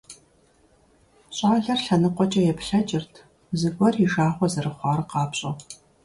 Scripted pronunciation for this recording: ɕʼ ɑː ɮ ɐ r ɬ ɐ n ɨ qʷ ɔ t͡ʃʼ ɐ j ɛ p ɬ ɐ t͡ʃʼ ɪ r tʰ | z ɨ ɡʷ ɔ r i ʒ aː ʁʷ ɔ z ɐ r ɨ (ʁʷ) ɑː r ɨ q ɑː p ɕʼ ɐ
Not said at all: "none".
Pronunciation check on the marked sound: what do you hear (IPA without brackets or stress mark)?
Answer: χʷ